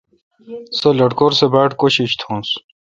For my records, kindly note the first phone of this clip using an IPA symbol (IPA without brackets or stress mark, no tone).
s